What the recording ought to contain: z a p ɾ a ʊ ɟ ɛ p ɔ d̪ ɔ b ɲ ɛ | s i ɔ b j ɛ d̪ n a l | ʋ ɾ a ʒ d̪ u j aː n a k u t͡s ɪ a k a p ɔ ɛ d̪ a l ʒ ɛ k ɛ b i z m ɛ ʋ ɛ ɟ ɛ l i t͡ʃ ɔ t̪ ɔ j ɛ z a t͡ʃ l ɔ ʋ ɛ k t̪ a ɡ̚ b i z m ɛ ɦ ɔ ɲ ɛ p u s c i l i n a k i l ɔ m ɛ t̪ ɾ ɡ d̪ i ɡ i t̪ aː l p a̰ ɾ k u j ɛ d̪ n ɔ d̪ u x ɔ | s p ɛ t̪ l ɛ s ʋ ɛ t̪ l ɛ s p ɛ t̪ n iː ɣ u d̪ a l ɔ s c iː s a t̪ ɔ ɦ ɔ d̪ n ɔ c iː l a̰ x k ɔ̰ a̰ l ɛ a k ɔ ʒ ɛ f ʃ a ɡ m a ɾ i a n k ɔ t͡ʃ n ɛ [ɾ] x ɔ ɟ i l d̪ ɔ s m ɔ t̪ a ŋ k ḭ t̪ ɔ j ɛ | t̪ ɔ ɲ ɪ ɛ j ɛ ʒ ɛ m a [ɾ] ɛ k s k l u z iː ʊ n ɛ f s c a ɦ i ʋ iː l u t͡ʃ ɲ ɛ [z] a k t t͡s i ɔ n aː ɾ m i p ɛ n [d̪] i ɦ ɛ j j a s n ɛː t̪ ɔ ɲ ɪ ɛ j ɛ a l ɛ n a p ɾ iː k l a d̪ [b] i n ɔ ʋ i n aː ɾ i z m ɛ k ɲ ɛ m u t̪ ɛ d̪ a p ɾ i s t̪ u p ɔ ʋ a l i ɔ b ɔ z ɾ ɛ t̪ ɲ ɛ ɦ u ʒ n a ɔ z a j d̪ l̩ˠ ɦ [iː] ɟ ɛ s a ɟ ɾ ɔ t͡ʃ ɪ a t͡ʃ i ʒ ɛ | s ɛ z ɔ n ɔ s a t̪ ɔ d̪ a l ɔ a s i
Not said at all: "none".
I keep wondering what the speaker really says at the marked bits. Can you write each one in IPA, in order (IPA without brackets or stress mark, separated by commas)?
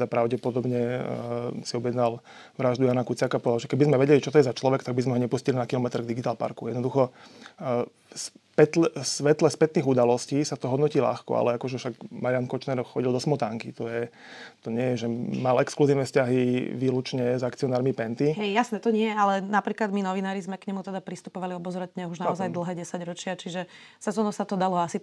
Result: ɾ, l, z, t̪, m, ɛː